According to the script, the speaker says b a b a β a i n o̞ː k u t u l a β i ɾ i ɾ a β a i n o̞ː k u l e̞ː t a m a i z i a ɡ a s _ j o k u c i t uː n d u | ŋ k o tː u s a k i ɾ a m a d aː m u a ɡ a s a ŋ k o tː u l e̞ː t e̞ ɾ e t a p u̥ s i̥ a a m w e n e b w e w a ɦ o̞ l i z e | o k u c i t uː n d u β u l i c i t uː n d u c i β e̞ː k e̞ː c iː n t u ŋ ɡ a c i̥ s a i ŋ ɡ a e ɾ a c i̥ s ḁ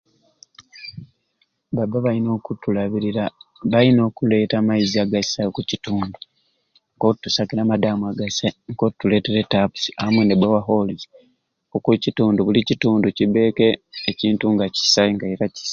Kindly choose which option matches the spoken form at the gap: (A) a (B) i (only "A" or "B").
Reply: A